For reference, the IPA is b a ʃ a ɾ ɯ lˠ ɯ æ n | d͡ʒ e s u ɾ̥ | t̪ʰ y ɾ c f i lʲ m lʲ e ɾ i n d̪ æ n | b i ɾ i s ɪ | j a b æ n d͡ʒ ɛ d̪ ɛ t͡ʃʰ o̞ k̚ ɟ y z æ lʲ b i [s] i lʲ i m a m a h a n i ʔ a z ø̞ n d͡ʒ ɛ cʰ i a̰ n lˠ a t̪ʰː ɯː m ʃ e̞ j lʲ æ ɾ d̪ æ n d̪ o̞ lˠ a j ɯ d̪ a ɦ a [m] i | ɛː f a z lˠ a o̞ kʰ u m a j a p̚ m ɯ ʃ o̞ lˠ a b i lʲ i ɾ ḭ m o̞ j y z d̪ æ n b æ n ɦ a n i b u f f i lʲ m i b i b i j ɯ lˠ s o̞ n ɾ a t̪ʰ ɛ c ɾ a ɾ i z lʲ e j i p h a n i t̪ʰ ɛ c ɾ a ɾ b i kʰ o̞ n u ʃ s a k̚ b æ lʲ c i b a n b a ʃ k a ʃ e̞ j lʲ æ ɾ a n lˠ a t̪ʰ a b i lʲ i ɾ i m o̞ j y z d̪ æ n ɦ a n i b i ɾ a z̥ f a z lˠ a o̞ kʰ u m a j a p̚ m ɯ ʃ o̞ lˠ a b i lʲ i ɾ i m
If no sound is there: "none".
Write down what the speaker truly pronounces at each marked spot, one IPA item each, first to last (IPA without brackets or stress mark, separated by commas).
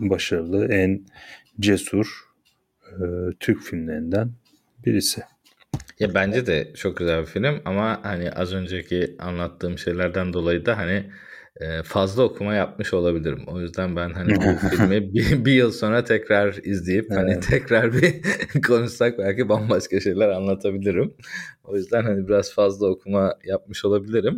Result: f, n